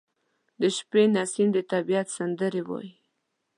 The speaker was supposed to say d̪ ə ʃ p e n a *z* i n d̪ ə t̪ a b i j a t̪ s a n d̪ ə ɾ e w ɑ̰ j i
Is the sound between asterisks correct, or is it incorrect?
incorrect